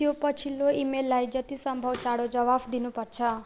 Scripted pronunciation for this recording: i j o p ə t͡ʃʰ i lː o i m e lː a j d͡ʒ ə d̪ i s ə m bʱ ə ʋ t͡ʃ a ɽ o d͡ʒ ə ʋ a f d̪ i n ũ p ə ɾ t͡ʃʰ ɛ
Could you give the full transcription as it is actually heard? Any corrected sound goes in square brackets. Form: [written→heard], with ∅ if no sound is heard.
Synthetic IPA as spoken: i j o p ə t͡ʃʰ i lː o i m e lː a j d͡ʒ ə [d̪→t̪] i s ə m bʱ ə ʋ t͡ʃ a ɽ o d͡ʒ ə ʋ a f d̪ i n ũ p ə ɾ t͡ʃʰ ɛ